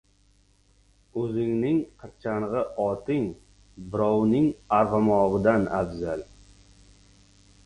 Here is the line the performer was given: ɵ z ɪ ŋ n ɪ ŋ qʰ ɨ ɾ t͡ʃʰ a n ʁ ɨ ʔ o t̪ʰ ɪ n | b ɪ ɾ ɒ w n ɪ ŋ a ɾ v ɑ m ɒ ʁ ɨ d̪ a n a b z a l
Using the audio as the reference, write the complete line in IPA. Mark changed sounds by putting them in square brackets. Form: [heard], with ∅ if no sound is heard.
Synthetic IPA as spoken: ɵ z ɪ ŋ n ɪ ŋ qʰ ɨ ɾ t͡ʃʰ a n ʁ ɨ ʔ [ɒ] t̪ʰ ɪ [ŋ] | b ɪ ɾ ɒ w n ɪ ŋ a ɾ [ʁ] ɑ m ɒ ʁ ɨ d̪ a n a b z a l